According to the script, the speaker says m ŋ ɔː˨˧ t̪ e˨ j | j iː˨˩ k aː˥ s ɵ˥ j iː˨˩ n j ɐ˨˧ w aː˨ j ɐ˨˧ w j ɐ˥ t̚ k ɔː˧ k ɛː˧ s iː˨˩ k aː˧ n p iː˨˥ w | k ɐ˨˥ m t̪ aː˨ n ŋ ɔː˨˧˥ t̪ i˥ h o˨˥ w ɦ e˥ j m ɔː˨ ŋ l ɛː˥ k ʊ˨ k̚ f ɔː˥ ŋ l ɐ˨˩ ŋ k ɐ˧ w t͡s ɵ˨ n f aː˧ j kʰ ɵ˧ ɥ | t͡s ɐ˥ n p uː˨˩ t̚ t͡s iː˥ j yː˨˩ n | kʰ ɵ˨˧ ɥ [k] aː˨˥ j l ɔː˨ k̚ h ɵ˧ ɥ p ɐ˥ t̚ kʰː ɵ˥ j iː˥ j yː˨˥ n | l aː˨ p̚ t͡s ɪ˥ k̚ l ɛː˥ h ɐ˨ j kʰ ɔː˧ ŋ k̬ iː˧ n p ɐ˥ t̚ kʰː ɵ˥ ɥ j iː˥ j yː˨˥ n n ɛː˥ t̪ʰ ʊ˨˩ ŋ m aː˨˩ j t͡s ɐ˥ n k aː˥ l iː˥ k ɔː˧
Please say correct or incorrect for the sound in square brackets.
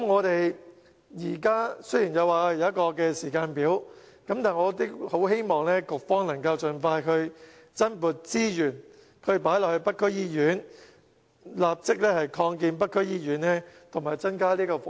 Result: incorrect